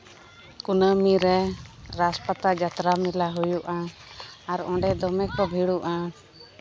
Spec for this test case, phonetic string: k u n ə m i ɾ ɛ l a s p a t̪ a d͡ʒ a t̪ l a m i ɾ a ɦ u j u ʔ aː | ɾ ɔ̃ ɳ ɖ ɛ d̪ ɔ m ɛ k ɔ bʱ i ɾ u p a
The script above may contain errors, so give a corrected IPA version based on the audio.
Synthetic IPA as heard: k u n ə m i ɾ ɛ ɾ a s p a t̪ a d͡ʒ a t̪ ɾ a m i l a ɦ u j u ʔ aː | ɾ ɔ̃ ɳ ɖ ɛ d̪ ɔ m ɛ k ɔ bʱ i ɽ u ʔ a